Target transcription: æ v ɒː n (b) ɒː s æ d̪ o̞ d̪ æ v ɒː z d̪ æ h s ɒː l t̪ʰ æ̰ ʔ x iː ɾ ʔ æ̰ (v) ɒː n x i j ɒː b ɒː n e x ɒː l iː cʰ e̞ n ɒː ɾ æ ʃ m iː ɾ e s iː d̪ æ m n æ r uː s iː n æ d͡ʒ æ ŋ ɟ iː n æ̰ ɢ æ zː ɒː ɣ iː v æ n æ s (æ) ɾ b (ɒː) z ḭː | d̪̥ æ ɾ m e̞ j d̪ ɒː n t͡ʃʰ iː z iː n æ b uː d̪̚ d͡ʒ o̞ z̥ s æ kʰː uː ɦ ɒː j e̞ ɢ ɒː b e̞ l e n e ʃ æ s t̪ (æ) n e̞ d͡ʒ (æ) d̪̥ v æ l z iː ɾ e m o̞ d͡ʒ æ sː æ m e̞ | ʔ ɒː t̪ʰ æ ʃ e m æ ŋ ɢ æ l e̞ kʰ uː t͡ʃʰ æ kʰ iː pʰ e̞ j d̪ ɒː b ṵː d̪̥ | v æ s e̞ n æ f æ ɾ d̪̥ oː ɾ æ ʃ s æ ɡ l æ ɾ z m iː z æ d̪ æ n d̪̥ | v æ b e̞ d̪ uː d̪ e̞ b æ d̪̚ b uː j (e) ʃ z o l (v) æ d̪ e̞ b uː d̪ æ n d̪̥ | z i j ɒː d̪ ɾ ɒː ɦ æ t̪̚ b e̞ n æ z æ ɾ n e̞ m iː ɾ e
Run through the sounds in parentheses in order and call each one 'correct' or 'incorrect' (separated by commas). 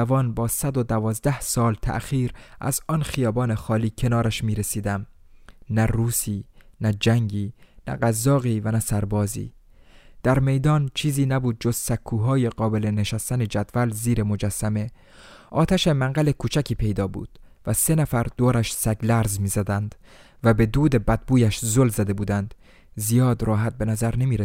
correct, incorrect, correct, correct, correct, correct, incorrect, incorrect